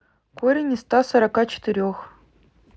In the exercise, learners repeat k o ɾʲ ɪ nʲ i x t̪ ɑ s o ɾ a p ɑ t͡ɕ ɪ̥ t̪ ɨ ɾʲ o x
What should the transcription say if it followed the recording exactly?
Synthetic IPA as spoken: k o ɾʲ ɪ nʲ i s t̪ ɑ s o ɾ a k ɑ t͡ɕ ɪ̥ t̪ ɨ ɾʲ o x